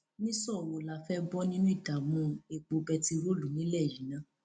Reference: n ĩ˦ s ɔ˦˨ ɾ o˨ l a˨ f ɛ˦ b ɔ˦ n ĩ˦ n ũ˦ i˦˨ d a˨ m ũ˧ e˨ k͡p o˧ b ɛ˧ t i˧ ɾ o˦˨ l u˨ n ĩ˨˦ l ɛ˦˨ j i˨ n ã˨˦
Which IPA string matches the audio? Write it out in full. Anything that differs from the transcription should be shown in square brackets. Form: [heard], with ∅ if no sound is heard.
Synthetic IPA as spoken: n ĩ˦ s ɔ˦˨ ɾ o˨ l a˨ f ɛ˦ b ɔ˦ n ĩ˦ n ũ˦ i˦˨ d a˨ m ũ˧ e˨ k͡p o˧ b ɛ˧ t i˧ ɾ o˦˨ l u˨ n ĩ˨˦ l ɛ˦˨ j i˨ n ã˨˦